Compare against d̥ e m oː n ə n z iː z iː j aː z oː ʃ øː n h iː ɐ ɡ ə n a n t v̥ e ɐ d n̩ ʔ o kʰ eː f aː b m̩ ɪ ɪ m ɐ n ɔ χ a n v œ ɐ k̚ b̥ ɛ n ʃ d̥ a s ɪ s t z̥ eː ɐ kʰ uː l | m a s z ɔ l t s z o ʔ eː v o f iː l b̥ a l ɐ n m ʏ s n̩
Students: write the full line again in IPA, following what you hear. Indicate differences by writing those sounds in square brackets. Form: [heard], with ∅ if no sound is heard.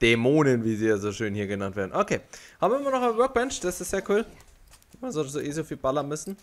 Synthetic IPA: d̥ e m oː n ə n [v] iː z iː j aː z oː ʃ øː n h iː ɐ ɡ ə n a n t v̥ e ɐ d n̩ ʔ o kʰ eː [h] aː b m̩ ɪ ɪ m ɐ n ɔ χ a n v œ ɐ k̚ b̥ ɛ n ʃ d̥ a s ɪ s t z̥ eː ɐ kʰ uː l | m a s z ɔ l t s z o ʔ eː [z] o f iː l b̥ a l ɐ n m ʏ s n̩